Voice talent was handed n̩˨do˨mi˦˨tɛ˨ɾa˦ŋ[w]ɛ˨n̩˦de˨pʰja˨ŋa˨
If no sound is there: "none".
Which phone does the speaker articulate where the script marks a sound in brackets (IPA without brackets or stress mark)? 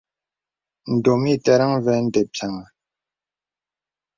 v